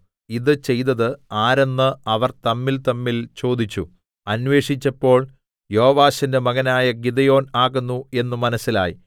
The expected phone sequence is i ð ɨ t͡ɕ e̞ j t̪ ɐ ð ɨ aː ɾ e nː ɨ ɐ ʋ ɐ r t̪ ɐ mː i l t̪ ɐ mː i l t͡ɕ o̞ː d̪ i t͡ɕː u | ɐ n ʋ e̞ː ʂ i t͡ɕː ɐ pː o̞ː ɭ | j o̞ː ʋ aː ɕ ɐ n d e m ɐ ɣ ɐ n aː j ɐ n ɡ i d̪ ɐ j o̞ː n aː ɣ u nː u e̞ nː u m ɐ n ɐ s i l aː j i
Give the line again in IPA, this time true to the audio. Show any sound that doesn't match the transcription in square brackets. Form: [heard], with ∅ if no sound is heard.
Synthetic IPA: i ð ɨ t͡ɕ e̞ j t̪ ɐ ð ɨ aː ɾ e nː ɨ ɐ ʋ ɐ r t̪ ɐ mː i l t̪ ɐ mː i l t͡ɕ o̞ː d̪ i t͡ɕː u | ɐ n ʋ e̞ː ʂ i t͡ɕː ɐ pː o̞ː ɭ | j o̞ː ʋ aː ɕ ɐ n d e m ɐ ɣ ɐ n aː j ɐ [∅] ɡ i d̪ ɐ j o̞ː n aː ɣ u nː u e̞ nː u m ɐ n ɐ s i l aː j i

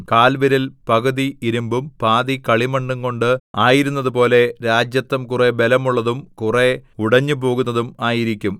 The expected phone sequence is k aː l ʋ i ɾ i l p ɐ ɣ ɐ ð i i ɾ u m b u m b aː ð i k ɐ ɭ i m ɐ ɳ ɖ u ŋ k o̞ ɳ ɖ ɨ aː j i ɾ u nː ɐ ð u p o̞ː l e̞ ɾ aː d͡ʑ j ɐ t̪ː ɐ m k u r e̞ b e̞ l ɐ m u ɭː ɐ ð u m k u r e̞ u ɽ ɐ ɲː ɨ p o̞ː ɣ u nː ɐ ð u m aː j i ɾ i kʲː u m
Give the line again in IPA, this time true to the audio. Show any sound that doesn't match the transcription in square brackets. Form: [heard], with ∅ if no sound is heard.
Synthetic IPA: k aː l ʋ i ɾ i l p ɐ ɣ ɐ ð i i ɾ u m b u m [p] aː ð i k ɐ ɭ i m ɐ ɳ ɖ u ŋ k o̞ ɳ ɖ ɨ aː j i ɾ u nː ɐ ð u p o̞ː l e̞ ɾ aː d͡ʑ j ɐ t̪ː ɐ m k u r e̞ b e̞ l ɐ m u ɭː ɐ ð u m k u r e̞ u ɽ ɐ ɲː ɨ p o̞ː ɣ u nː ɐ ð u m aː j i ɾ i kʲː u m

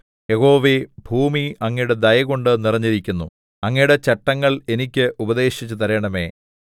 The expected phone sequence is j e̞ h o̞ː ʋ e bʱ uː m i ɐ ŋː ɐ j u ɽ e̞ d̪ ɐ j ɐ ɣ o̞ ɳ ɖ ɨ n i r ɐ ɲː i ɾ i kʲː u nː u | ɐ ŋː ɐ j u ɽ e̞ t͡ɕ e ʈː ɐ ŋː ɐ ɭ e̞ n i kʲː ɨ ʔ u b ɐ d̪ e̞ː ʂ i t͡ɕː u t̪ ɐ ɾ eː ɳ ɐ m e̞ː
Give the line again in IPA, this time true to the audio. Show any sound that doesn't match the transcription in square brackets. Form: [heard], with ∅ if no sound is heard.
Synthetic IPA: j e̞ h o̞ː ʋ e bʱ uː m i ɐ ŋː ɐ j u ɽ e̞ d̪ ɐ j ɐ ɣ o̞ ɳ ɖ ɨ n i r ɐ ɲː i ɾ i kʲː u nː u | ɐ ŋː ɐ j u ɽ e̞ t͡ɕ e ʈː ɐ ŋː ɐ ɭ e̞ n i kʲː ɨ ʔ u b ɐ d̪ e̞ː [ɕ] i t͡ɕː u t̪ ɐ ɾ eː ɳ ɐ m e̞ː

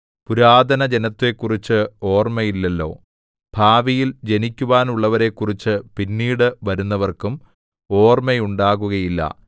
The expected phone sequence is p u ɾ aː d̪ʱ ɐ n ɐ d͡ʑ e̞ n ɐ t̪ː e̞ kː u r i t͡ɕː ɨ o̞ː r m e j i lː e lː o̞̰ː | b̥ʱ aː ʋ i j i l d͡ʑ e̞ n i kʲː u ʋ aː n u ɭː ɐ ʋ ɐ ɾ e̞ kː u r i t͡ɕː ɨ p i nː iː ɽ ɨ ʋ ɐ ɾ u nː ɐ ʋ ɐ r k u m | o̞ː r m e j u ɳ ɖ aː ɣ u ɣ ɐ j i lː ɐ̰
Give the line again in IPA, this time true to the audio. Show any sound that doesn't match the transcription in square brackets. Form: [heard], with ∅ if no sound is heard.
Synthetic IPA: p u ɾ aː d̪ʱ ɐ n ɐ d͡ʑ e̞ n ɐ t̪ː e̞ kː u r i t͡ɕː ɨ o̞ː r m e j i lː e lː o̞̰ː | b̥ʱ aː ʋ i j i l d͡ʑ e̞ n i kʲː u ʋ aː n u ɭː ɐ ʋ ɐ ɾ e̞ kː u r i t͡ɕː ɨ p i nː iː ɽ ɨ ʋ ɐ ɾ u nː ɐ ʋ ɐ r k u m | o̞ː r m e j u ɳ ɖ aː ɣ u ɣ ɐ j i lː ɐ̰

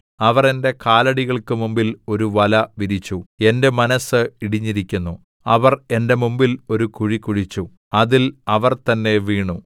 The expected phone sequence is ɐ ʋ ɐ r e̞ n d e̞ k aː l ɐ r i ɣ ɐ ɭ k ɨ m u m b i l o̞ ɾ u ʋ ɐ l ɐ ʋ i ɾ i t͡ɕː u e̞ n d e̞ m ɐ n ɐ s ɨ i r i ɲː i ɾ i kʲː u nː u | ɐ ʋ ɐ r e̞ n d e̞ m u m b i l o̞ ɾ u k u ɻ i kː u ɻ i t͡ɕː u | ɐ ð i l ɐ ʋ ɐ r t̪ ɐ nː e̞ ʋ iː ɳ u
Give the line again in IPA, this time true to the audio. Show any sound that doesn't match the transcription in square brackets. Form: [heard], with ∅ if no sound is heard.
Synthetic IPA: ɐ ʋ ɐ r e̞ n d e̞ k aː l ɐ [ɽ] i ɣ ɐ ɭ k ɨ m u m b i l o̞ ɾ u ʋ ɐ l ɐ ʋ i ɾ i t͡ɕː u e̞ n d e̞ m ɐ n ɐ s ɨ i [ɽ] i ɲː i ɾ i kʲː u nː u | ɐ ʋ ɐ r e̞ n d e̞ m u m b i l o̞ ɾ u k u ɻ i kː u ɻ i t͡ɕː u | ɐ ð i l ɐ ʋ ɐ r t̪ ɐ nː e̞ ʋ iː ɳ u

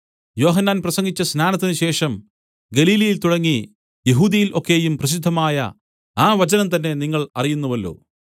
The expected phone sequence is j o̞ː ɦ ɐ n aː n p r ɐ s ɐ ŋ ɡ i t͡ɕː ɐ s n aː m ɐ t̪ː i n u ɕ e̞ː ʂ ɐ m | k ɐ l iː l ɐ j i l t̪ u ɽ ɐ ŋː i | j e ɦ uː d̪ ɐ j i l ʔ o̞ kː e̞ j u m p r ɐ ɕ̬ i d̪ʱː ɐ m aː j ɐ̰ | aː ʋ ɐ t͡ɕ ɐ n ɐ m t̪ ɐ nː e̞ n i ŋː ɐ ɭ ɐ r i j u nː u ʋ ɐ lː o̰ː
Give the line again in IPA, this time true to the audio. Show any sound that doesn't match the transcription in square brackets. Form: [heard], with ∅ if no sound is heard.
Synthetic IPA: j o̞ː ɦ ɐ [nː] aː n p r ɐ s ɐ ŋ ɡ i t͡ɕː ɐ s n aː [n] ɐ t̪ː i n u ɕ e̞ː ʂ ɐ m | [ɡ] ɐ l iː l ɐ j i l t̪ u ɽ ɐ ŋː i | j e ɦ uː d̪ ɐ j i l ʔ o̞ kː e̞ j u m p r ɐ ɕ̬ i d̪ʱː ɐ m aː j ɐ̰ | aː ʋ ɐ t͡ɕ ɐ n ɐ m t̪ ɐ nː e̞ n i ŋː ɐ ɭ ɐ r i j u nː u ʋ ɐ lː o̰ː

